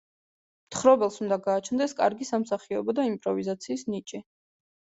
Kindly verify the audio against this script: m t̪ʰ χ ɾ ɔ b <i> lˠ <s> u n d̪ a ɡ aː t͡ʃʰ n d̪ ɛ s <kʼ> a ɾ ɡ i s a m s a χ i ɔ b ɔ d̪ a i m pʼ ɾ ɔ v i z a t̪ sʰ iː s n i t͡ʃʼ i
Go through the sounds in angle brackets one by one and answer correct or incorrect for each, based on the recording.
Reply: incorrect: ɛ, correct, correct

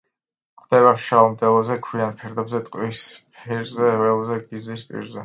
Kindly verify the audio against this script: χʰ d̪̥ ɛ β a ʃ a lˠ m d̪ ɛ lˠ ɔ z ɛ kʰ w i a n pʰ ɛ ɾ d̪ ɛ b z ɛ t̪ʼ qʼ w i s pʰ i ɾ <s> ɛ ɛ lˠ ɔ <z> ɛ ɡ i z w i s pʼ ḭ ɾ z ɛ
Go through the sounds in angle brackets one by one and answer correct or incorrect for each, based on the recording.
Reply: incorrect: z, correct

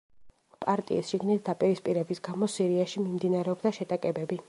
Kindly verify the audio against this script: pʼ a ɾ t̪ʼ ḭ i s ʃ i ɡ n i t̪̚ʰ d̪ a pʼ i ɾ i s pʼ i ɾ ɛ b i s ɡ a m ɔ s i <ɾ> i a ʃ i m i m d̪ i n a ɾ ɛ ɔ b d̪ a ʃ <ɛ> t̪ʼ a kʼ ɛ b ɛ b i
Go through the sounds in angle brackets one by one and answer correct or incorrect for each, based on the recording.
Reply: correct, correct

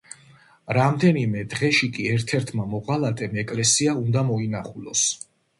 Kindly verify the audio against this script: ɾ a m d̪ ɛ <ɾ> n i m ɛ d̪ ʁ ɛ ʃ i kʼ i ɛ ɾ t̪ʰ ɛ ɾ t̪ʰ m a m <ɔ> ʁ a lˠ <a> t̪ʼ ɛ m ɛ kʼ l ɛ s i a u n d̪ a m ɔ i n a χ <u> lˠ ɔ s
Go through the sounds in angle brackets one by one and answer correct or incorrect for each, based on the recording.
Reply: incorrect: none, correct, correct, correct

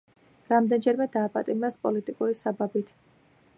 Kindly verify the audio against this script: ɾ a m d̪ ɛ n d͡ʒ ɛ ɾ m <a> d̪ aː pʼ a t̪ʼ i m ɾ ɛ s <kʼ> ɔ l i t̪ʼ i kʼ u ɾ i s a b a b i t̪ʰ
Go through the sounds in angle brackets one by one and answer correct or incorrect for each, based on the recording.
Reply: incorrect: ɛ, incorrect: pʼ

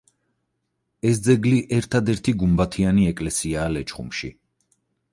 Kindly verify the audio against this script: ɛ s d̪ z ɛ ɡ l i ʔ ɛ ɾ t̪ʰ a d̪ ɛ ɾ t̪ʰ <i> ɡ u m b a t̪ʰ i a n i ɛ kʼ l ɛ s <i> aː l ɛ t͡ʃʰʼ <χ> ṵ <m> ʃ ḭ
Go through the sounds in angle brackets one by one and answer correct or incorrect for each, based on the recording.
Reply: correct, correct, correct, correct

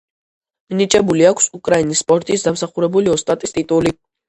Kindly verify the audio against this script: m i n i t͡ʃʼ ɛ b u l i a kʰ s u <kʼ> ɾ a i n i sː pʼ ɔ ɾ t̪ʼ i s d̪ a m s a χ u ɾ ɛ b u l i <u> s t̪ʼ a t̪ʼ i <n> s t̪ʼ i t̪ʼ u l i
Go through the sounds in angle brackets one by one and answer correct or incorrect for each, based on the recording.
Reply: correct, incorrect: ɔ, incorrect: none

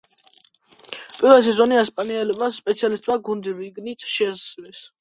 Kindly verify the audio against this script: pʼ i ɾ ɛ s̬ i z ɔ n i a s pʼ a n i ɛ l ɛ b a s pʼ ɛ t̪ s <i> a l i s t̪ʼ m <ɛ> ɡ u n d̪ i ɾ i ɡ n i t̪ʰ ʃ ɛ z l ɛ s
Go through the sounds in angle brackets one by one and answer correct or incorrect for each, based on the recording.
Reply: correct, incorrect: a

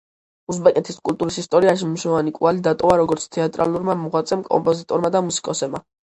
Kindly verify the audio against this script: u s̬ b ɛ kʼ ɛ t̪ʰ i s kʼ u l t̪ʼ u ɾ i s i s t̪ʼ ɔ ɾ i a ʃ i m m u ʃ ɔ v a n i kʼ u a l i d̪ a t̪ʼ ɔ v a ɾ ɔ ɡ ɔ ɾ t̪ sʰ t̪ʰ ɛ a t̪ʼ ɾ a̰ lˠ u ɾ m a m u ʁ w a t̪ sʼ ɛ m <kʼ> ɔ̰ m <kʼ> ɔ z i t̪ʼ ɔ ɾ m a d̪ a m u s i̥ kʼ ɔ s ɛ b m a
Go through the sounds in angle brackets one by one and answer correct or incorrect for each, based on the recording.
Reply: correct, incorrect: pʼ

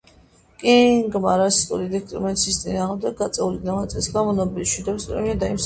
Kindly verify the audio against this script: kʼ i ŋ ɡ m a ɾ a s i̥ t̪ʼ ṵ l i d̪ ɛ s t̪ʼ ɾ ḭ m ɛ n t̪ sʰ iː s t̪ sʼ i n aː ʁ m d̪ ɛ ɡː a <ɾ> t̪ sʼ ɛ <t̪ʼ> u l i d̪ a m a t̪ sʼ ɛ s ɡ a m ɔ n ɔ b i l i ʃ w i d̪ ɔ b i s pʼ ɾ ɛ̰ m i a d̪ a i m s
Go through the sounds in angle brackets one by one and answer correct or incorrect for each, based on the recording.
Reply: incorrect: none, incorrect: none

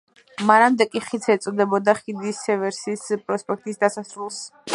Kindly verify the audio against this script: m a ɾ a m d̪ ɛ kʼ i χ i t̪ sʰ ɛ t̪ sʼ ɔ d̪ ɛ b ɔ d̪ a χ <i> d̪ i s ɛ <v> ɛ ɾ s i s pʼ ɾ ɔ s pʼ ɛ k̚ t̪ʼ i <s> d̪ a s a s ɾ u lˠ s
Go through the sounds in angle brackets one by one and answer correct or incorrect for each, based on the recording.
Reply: correct, correct, correct

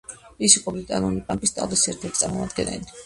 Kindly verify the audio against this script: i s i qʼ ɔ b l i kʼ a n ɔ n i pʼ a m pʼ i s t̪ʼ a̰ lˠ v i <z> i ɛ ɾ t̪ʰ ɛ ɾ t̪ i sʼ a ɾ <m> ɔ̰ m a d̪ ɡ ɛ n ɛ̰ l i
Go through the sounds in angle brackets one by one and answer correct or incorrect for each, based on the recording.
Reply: incorrect: s, correct

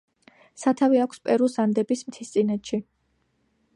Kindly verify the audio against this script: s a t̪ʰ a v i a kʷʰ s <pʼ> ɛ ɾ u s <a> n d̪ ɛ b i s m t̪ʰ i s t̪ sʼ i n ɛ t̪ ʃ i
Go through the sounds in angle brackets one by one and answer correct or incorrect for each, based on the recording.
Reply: correct, correct

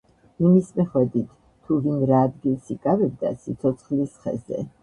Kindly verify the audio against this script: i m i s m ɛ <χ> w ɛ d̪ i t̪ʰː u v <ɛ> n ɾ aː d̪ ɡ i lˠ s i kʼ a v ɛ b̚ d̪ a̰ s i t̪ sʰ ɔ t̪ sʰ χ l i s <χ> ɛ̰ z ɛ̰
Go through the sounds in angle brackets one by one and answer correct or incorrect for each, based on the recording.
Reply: correct, incorrect: i, correct

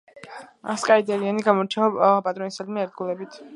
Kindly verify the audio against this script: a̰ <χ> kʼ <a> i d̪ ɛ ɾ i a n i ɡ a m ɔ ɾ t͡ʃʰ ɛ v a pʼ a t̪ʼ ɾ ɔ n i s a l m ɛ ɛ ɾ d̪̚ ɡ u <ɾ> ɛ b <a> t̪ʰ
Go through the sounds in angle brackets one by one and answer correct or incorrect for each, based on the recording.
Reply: incorrect: s, correct, incorrect: l, incorrect: i

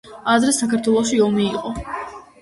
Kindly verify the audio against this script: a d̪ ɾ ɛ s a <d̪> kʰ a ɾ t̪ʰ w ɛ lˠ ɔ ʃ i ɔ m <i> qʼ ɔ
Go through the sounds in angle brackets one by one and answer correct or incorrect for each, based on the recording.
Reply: incorrect: none, incorrect: iː

